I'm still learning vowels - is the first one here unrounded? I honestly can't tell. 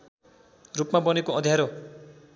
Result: no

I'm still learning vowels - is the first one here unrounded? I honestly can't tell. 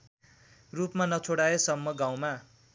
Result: no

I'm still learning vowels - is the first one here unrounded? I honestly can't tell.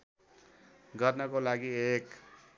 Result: yes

